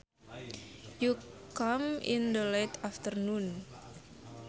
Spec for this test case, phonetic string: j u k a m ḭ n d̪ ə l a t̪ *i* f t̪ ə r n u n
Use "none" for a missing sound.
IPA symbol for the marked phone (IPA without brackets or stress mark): a